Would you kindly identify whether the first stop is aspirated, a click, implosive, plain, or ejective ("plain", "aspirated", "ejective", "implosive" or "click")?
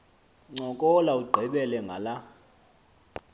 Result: click